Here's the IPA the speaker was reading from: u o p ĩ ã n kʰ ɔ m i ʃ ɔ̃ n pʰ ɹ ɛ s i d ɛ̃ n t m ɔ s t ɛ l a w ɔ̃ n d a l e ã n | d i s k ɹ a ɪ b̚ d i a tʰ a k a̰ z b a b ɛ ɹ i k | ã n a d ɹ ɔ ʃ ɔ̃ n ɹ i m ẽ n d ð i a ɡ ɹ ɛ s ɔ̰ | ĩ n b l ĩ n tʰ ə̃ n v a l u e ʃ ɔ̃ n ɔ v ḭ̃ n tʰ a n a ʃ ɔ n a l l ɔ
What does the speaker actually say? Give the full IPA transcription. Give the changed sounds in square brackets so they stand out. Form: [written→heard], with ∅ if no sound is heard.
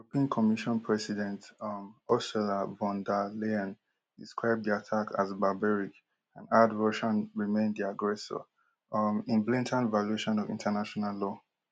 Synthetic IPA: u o p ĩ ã n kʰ ɔ m i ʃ ɔ̃ n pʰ ɹ ɛ s i d ɛ̃ n t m ɔ s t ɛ l a [w→v] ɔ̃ n d a l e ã n | d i s k ɹ a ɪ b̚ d i a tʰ a k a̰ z b a b ɛ ɹ i k | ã n a d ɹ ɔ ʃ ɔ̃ n ɹ i m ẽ n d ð i a ɡ ɹ ɛ s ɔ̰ | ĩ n b l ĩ n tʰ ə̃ n v a l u e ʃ ɔ̃ n ɔ v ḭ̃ n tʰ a n a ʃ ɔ n a l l ɔ